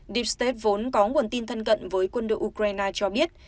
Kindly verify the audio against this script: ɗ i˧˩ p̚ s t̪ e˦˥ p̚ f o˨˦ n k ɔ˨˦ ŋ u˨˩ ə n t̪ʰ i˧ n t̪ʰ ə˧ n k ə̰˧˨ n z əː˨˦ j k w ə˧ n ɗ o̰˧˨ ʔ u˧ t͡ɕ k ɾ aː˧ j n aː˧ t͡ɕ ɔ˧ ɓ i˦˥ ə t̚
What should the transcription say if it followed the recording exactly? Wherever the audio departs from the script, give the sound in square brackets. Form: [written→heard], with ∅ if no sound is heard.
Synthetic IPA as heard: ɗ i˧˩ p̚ s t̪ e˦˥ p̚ [f→v] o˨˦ n k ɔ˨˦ ŋ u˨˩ ə n [t̪ʰ→t̪] i˧ n t̪ʰ ə˧ n k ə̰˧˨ n [z→v] əː˨˦ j k w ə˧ n ɗ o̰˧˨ ʔ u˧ [t͡ɕ→∅] k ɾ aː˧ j n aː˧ t͡ɕ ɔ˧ ɓ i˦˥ ə t̚